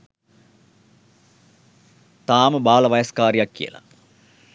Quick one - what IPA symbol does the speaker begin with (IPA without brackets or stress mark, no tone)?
t̪